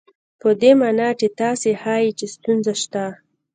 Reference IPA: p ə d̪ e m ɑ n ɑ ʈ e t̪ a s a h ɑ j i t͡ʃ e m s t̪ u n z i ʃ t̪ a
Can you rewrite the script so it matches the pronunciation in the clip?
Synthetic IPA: p ə d̪ e m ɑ n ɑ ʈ e t̪ ɑ s e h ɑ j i t͡ʃ e s t̪ u n z a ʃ t̪ a